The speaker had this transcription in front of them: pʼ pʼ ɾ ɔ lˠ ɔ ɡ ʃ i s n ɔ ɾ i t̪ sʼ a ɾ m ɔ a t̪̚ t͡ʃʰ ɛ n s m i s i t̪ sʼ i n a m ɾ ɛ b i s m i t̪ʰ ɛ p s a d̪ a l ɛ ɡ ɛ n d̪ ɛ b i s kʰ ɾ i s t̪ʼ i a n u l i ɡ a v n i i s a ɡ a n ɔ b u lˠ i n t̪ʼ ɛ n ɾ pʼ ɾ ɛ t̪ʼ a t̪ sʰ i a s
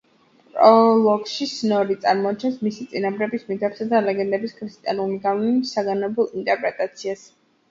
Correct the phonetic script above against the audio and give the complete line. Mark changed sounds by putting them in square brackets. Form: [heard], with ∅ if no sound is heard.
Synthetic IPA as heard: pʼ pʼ ɾ ɔ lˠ ɔ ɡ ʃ i s n ɔ ɾ i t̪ sʼ a ɾ m ɔ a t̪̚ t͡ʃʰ ɛ n s m i s i t̪ sʼ i n a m ɾ ɛ b i s m i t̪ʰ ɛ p s a d̪ a l ɛ ɡ ɛ n d̪ ɛ b i s kʰ ɾ i s t̪ʼ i a n u l i ɡ a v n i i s a ɡ a n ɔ b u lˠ i n t̪ʼ ɛ [∅] ɾ pʼ ɾ ɛ t̪ʼ a t̪ sʰ i a s